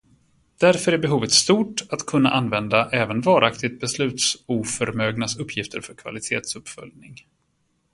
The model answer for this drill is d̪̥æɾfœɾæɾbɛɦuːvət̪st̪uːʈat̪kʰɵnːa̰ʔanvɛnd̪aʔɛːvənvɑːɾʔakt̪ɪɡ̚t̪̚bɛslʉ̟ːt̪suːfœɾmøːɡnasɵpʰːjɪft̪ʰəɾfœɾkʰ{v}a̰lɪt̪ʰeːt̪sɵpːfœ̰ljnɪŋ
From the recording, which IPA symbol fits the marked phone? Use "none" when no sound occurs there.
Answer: v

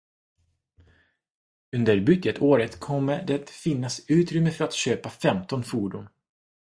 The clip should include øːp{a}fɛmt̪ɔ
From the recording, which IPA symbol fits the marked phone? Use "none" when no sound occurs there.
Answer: a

